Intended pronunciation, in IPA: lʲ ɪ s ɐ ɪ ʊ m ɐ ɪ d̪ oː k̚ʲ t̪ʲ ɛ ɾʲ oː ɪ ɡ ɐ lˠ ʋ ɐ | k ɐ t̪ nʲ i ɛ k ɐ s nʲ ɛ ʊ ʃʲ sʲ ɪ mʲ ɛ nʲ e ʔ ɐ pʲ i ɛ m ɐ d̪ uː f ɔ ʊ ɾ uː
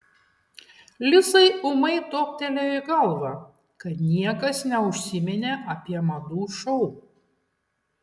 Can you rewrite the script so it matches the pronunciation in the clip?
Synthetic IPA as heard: lʲ ɪ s ɐ ɪ ʊ m ɐ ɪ t̪ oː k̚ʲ t̪ʲ ɛ lʲ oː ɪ ɡ ɐ lˠ ʋ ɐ | k ɐ t̪ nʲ i ɛ k ɐ s nʲ ɛ ʊ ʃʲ sʲ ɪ mʲ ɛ nʲ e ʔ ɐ pʲ i ɛ m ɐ d̪ uː ʃ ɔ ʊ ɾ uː